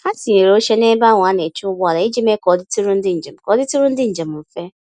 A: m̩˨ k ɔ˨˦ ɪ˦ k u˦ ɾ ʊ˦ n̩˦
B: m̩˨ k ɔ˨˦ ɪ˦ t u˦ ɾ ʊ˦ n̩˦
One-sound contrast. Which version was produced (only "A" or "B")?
B